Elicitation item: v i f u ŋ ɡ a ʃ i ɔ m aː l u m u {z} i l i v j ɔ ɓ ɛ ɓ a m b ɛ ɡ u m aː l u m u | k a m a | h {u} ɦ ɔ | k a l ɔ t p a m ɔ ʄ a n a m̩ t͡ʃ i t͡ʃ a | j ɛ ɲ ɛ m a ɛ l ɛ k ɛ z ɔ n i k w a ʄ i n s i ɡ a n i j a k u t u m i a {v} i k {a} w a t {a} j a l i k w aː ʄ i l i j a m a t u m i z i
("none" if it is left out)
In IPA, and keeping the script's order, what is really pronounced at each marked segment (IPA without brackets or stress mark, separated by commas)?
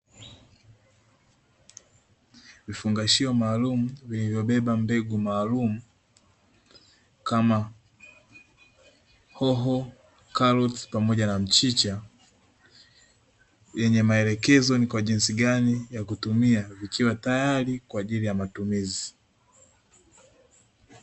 v, ɔ, v, i, a